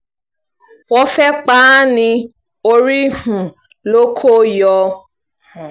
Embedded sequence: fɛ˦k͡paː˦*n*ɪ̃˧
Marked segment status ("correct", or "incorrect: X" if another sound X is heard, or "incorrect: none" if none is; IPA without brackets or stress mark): correct